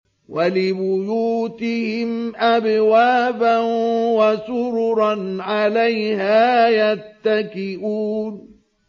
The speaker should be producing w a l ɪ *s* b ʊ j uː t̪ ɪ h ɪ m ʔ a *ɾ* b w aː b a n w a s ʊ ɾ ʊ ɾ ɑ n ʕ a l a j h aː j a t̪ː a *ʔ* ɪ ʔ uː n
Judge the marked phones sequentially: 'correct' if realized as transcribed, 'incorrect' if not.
incorrect, incorrect, incorrect

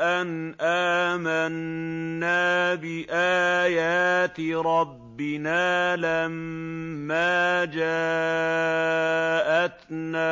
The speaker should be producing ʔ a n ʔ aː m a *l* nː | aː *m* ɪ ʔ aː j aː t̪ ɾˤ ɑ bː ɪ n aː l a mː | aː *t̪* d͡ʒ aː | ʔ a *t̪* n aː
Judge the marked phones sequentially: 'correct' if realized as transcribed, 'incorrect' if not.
incorrect, incorrect, incorrect, correct

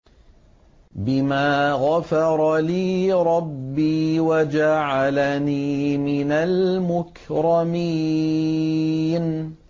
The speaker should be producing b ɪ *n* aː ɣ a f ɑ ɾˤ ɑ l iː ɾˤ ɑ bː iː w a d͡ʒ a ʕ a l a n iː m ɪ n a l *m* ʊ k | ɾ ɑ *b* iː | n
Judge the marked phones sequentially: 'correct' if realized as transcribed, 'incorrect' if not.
incorrect, correct, incorrect

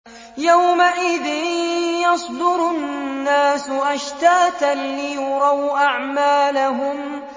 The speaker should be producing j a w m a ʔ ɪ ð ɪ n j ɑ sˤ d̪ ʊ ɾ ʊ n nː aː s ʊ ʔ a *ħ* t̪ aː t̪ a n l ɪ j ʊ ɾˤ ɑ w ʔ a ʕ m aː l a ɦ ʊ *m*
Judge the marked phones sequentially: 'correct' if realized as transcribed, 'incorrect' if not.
incorrect, correct

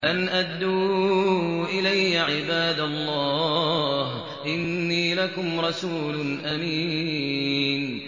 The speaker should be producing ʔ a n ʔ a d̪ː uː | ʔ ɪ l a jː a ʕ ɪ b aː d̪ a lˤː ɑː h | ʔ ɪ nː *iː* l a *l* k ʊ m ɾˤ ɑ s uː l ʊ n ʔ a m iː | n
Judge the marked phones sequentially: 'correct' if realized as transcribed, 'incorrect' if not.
correct, incorrect

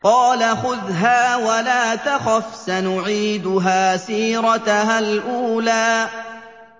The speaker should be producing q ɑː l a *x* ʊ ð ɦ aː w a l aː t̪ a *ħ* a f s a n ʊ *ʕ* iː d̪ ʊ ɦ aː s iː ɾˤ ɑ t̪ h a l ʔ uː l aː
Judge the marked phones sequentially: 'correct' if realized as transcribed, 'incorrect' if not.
correct, incorrect, correct

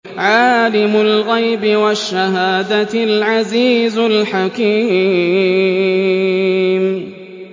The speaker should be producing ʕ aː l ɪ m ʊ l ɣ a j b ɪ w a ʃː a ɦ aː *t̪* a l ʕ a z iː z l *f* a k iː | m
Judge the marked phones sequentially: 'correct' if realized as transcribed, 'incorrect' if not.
incorrect, incorrect

